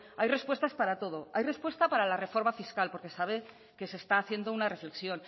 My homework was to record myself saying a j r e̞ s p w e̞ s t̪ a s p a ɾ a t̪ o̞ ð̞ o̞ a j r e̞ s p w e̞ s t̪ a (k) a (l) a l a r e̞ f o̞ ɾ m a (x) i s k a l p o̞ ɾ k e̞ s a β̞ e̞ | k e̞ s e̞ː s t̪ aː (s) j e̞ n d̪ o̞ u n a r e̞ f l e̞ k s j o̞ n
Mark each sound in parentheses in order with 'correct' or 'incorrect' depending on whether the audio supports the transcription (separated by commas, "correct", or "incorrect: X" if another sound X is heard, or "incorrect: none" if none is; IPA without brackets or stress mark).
incorrect: p, incorrect: ɾ, incorrect: f, incorrect: θ